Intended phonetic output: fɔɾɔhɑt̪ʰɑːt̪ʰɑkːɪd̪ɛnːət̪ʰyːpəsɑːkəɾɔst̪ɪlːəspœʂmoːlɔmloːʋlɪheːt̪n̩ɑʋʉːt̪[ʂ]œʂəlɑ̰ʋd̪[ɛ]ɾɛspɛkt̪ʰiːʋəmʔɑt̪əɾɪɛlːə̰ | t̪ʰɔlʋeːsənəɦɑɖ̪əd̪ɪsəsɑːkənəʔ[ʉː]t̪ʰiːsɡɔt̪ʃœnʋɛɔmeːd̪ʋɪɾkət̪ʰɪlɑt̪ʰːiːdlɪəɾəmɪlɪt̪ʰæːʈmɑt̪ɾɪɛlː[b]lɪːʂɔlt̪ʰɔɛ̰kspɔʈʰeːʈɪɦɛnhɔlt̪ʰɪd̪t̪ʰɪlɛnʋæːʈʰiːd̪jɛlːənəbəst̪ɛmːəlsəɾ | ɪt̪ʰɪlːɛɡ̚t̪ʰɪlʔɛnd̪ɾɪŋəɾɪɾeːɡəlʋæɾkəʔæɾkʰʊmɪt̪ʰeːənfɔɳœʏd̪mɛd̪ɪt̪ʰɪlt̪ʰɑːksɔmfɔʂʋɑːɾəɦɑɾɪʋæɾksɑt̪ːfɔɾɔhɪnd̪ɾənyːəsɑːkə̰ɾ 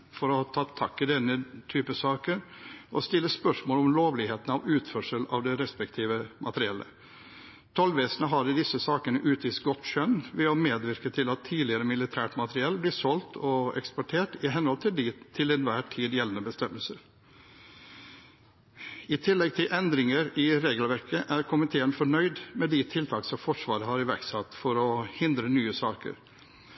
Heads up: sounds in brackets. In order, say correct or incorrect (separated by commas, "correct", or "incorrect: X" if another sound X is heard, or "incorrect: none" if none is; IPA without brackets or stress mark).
incorrect: f, correct, correct, correct